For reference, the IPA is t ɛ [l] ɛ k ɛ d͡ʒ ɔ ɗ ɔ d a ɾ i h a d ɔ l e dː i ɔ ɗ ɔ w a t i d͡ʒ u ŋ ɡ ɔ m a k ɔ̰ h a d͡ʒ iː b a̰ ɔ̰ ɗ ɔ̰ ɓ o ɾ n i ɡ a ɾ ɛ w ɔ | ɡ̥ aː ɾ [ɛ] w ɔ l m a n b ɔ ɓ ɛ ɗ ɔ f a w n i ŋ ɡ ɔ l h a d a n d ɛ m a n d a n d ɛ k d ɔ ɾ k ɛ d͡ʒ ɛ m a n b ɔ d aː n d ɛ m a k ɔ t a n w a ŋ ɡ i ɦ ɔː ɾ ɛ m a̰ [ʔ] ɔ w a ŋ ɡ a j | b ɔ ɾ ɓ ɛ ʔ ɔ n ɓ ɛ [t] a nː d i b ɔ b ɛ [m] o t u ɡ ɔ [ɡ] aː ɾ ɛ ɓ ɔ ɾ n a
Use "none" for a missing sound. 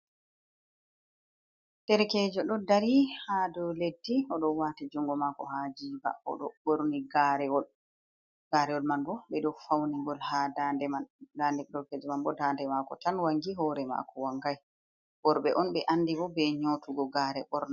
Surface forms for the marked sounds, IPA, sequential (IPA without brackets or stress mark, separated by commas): ɾ, ɛ, k, ʔ, ɲ, ɡ